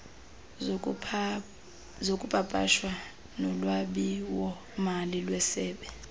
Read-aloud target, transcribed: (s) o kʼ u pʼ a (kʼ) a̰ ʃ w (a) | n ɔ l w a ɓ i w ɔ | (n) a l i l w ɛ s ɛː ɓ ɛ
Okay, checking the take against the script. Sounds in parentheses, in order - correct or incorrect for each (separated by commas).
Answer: incorrect, incorrect, correct, incorrect